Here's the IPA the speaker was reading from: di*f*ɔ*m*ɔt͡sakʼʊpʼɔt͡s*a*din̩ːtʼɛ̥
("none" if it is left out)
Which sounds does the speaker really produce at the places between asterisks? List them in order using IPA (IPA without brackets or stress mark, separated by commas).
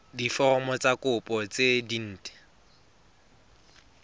f, m, e